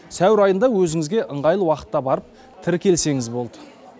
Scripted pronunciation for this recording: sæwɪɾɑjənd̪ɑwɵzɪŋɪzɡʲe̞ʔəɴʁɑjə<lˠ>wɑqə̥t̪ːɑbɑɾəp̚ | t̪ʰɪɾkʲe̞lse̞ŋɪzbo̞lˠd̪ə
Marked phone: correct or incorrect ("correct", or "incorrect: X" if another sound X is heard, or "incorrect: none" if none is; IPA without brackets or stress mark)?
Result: correct